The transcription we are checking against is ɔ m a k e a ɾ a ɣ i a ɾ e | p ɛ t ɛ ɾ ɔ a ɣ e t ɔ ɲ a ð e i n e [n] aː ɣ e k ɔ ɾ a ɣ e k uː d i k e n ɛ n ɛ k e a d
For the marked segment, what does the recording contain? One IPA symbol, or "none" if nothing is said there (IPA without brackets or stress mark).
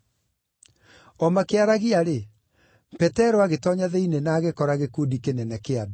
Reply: n